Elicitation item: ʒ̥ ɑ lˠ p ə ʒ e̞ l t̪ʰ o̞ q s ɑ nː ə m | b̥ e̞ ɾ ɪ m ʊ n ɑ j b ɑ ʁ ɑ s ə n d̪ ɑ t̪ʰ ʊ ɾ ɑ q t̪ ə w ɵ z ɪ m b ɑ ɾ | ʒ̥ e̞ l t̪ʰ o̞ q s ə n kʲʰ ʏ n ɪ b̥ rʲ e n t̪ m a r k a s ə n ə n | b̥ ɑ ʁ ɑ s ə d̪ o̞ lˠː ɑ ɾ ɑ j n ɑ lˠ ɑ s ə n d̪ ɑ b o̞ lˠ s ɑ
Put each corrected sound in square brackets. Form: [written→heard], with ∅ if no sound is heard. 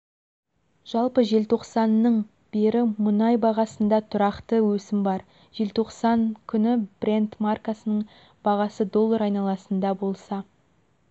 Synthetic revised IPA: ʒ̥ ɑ lˠ p ə ʒ e̞ l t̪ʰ o̞ q s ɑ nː ə [m→ɴ] | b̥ e̞ ɾ ɪ m ʊ n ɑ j b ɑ ʁ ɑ s ə n d̪ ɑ t̪ʰ ʊ ɾ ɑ q t̪ ə w ɵ [z→s] ɪ m b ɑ ɾ | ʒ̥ e̞ l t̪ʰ o̞ q s [ə→ɑ] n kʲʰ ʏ n ɪ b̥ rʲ e n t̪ m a r k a s ə n ə [n→ɴ] | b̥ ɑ ʁ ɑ s ə d̪ o̞ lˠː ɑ ɾ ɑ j n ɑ lˠ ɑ s ə n d̪ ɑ b o̞ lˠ s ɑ